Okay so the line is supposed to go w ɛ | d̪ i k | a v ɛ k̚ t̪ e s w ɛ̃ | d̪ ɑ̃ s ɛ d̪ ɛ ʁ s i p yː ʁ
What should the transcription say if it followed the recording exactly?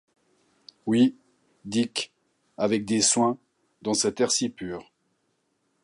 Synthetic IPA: w i | d̪ i k | a v ɛ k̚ d̪ e s w ɛ̃ | d̪ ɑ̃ s ɛ t̪ ɛ ʁ s i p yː ʁ